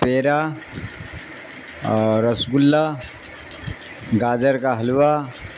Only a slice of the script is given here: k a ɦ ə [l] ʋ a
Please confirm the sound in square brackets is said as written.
yes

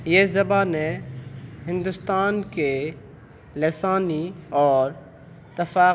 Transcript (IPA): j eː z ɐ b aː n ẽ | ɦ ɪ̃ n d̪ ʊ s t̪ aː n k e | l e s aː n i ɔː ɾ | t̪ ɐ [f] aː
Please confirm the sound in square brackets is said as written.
yes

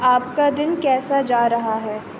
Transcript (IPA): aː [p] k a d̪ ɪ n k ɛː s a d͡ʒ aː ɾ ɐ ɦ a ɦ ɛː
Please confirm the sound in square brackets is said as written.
yes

